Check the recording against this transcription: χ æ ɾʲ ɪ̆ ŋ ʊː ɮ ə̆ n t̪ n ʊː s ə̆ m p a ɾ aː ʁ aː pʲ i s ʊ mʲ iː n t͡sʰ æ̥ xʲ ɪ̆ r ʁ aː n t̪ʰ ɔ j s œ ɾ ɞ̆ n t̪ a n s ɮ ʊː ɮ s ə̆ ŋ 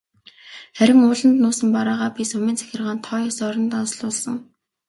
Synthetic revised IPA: χ æ ɾʲ ɪ̆ ŋ ʊː ɮ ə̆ n t̪ n ʊː s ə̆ m p a ɾ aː ʁ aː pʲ i s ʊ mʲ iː n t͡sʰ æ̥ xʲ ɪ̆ r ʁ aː n t̪ʰ ɔ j s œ ɾ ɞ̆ n t̪ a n s ɮ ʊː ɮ s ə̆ ŋ